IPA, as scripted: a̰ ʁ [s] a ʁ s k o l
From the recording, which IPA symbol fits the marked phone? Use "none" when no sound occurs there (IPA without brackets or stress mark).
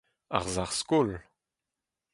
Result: z